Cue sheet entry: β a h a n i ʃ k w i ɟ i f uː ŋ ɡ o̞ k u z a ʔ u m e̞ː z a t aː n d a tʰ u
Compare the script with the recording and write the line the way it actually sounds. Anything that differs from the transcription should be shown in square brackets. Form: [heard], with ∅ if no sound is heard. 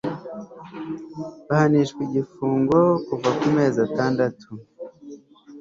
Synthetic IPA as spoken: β a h a n i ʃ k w i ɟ i f uː ŋ ɡ o̞ k u [v] a [k] u m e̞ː z a t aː n d a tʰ u